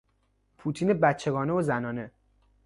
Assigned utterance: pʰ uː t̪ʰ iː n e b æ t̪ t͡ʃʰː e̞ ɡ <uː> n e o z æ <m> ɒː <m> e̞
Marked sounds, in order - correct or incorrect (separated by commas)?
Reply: incorrect, incorrect, incorrect